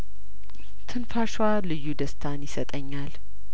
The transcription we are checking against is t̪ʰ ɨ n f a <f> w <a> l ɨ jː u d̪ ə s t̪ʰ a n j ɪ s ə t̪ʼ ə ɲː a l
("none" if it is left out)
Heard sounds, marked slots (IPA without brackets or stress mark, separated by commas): ʃ, a